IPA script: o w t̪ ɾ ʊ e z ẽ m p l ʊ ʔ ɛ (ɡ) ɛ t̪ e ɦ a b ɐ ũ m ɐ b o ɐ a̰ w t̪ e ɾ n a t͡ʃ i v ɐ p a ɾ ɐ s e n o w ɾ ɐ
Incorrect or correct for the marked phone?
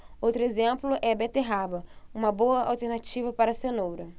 incorrect: b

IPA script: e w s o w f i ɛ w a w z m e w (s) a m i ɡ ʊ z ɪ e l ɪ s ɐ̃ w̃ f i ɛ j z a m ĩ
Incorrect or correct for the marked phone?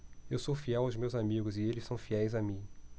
incorrect: z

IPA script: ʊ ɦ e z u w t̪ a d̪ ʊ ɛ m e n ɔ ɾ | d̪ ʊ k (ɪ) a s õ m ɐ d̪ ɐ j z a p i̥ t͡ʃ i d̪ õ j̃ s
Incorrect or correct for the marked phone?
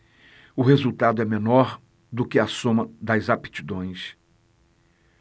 correct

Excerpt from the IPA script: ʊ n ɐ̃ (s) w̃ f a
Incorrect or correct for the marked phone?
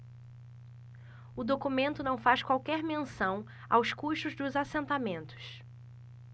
incorrect: none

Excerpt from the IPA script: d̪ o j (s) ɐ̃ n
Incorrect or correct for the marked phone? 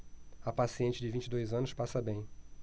incorrect: z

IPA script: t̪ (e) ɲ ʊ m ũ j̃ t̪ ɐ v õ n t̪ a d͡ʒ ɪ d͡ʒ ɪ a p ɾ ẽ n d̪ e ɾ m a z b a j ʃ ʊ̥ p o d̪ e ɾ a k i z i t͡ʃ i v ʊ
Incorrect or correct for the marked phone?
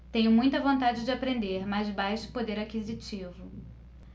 incorrect: ẽ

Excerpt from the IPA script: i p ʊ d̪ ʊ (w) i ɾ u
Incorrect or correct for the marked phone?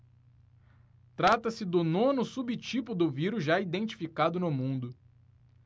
incorrect: v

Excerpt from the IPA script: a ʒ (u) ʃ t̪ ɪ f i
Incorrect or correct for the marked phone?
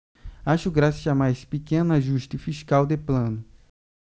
correct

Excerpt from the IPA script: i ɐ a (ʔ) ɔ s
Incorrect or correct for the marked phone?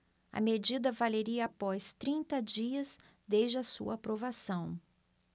incorrect: p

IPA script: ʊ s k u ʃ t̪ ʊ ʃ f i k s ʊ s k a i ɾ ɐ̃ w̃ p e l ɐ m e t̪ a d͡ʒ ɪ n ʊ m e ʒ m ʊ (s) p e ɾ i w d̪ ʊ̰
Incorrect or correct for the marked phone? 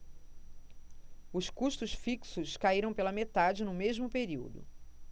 incorrect: none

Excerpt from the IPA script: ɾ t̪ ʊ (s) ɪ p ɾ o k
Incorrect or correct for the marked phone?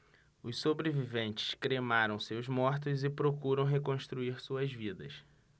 incorrect: z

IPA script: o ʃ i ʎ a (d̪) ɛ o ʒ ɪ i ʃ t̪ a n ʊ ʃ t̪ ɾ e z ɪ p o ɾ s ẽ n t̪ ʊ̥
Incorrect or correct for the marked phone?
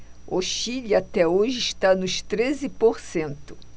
incorrect: t̪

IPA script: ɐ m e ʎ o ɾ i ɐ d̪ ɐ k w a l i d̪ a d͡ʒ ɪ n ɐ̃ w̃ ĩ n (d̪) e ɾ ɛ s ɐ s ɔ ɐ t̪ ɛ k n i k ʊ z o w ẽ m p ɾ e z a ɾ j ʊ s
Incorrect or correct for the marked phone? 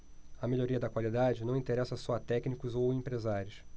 incorrect: t̪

